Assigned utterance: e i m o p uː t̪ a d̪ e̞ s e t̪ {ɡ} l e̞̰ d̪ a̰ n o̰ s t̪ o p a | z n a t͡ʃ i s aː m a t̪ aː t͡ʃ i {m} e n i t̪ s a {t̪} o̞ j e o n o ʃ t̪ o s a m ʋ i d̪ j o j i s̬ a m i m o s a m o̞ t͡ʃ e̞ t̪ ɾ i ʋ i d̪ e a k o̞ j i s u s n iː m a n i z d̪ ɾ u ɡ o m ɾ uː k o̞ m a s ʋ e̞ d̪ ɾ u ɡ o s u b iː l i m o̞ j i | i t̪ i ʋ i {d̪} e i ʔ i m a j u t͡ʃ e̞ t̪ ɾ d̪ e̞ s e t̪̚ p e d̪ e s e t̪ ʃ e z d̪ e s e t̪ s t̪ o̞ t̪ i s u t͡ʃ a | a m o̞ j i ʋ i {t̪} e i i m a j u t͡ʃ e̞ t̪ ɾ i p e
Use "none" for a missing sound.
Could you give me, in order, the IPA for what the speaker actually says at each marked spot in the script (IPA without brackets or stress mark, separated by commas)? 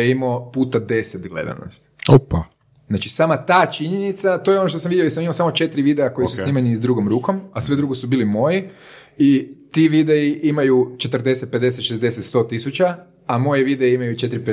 ɡ, ɲ, t̪, d̪, d̪